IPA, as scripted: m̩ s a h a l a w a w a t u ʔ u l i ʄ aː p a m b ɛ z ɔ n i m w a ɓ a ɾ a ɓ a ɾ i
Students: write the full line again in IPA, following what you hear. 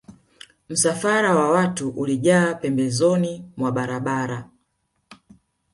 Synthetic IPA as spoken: m̩ s a f a ɾ a w a w a t u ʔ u l i ʄ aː p ɛ m b ɛ z ɔ n i m w a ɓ a ɾ a ɓ a ɾ a